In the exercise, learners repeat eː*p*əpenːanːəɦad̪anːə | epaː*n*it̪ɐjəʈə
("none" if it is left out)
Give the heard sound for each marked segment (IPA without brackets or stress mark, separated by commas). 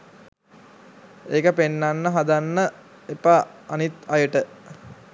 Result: k, n